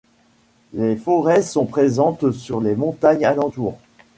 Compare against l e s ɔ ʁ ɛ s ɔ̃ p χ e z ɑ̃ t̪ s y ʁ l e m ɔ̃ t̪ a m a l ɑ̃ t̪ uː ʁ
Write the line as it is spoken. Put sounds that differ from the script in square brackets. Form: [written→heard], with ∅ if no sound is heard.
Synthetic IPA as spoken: l e [s→f] ɔ ʁ ɛ s ɔ̃ p χ e z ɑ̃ t̪ s y ʁ l e m ɔ̃ t̪ a [m→ɲ] a l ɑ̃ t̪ uː ʁ